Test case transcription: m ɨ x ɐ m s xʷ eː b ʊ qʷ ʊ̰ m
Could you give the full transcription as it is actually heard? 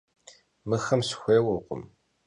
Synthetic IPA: m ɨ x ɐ m s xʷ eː w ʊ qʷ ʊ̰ m